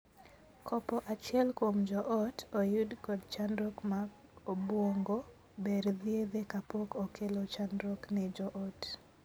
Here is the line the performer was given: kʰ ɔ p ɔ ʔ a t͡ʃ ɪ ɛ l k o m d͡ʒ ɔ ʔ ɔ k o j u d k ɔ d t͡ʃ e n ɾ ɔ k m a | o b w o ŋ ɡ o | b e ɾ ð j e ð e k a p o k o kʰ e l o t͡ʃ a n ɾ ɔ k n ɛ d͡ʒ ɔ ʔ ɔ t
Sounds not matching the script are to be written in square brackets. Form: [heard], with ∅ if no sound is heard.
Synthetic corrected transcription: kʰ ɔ p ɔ ʔ a t͡ʃ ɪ ɛ l k o m d͡ʒ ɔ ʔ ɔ [t] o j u d k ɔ d t͡ʃ [a] n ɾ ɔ k m a | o b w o ŋ ɡ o | b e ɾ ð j e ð e k a p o k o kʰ e l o t͡ʃ a n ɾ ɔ k n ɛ d͡ʒ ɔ ʔ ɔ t